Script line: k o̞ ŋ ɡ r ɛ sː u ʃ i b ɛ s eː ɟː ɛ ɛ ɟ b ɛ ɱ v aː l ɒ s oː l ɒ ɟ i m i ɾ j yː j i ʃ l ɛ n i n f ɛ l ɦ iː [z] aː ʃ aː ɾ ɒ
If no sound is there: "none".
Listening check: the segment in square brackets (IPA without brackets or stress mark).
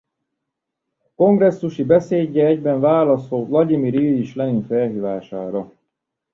v